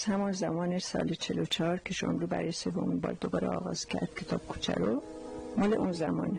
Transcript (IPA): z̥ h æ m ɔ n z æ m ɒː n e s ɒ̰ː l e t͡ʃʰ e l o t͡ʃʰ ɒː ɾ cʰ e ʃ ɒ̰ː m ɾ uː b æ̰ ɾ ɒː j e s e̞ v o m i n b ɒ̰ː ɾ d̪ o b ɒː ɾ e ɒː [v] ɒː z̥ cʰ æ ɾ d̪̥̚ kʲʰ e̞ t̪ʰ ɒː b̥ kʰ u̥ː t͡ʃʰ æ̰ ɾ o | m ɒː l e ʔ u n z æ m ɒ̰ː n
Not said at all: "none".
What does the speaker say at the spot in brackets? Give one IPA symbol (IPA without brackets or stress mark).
ɣ